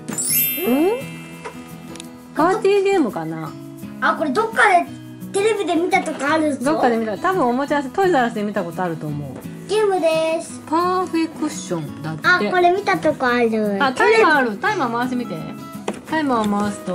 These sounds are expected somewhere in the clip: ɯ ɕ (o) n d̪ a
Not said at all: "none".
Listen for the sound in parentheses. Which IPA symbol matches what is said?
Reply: õ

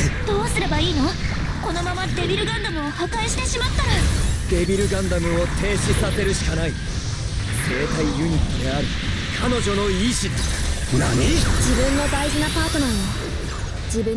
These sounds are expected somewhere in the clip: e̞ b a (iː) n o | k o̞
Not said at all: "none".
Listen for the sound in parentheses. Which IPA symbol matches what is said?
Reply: iː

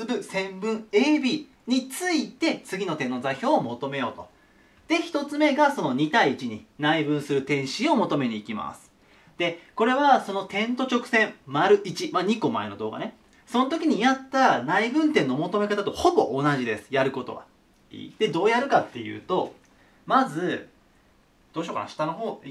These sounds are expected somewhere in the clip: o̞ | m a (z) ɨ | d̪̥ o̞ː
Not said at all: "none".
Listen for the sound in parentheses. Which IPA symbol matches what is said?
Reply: z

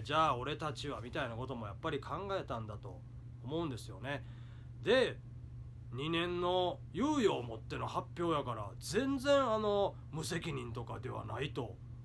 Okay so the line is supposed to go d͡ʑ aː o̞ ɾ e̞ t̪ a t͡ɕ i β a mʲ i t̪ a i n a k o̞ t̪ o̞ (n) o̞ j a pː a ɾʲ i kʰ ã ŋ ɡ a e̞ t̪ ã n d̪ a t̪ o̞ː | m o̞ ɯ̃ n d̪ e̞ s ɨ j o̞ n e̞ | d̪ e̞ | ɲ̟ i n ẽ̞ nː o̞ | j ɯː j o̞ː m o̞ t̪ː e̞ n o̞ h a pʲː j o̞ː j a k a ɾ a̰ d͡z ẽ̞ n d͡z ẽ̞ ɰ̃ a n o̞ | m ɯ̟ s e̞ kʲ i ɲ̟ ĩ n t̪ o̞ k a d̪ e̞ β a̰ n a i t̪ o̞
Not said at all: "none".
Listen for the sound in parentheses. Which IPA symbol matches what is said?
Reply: m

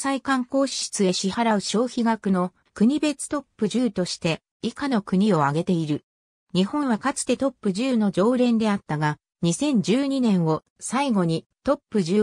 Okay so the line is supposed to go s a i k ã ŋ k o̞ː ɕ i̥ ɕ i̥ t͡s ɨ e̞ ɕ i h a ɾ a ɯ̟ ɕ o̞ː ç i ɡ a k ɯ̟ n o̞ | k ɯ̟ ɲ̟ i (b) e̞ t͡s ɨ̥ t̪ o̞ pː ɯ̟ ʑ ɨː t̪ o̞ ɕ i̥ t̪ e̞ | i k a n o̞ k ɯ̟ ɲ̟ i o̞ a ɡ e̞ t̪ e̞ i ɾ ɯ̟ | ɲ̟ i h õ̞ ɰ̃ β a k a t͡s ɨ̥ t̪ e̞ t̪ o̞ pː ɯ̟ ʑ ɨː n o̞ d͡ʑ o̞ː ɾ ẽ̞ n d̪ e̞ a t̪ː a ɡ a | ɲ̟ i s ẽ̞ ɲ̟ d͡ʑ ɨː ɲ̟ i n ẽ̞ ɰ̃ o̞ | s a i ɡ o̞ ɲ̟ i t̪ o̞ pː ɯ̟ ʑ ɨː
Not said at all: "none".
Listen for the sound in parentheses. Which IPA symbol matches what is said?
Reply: b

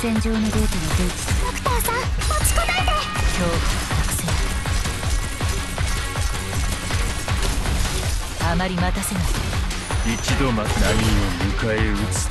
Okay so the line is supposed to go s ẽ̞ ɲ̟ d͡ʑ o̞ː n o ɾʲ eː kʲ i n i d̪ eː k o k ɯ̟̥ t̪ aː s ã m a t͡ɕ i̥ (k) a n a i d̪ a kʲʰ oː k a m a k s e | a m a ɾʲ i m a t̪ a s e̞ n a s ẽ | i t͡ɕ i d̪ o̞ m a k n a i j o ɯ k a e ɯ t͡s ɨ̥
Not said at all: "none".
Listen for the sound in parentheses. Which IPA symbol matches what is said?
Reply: k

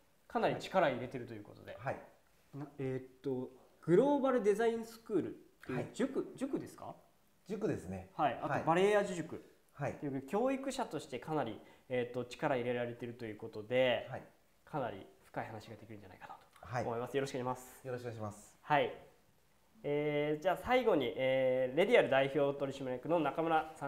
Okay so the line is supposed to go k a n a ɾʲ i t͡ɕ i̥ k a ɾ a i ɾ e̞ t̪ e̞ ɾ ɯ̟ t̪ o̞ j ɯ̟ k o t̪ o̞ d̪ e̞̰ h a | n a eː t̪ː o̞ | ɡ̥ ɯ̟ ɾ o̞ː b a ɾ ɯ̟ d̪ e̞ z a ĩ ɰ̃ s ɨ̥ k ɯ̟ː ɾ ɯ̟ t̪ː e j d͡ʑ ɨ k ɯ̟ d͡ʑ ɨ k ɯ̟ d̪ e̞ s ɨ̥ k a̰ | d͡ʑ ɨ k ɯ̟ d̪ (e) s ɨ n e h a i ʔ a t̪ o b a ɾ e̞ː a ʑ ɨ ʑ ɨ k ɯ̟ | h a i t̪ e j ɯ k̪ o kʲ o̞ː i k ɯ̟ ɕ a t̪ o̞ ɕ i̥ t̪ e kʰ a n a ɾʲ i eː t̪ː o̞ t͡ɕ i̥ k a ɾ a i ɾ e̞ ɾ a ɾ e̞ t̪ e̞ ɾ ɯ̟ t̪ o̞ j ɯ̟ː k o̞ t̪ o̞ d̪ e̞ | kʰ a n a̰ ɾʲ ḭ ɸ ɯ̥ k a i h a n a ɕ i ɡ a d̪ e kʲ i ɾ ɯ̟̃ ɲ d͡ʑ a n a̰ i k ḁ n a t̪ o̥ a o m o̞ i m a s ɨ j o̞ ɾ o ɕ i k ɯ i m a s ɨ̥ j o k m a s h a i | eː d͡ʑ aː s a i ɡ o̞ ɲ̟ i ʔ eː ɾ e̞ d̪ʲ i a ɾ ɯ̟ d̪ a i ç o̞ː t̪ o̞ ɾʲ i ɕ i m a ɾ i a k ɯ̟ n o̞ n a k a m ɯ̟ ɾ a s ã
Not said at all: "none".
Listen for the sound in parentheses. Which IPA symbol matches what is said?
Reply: e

